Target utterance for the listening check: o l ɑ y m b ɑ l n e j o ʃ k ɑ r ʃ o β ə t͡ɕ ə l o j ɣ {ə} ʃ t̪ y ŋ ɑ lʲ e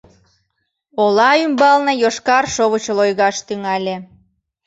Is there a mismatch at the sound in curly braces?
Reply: yes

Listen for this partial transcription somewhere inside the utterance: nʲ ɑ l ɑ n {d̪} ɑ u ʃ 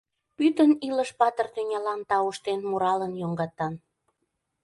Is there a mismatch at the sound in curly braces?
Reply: yes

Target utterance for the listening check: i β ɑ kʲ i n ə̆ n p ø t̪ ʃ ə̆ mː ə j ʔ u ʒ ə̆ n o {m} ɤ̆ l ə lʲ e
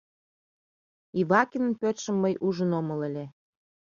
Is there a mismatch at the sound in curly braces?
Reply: no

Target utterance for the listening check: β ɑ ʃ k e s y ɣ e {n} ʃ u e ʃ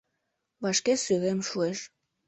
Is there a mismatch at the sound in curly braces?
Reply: yes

